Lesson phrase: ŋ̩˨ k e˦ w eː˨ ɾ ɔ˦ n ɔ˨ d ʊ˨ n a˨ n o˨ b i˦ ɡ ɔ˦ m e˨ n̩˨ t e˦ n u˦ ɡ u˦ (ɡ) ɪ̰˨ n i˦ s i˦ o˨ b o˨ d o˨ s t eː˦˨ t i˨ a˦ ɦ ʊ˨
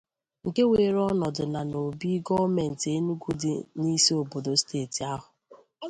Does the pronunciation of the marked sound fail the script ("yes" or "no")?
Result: yes